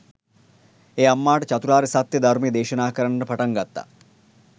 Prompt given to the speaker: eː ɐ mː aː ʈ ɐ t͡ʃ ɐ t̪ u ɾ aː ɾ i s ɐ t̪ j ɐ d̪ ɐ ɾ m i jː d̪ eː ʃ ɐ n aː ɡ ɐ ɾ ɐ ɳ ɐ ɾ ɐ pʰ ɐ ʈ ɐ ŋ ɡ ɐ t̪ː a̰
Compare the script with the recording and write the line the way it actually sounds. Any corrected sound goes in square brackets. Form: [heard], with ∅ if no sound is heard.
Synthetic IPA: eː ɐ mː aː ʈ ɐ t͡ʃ ɐ t̪ u ɾ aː ɾ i s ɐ t̪ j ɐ d̪ ɐ ɾ m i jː d̪ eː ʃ ɐ n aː [k] ɐ ɾ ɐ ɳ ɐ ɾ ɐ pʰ ɐ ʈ ɐ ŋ ɡ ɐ t̪ː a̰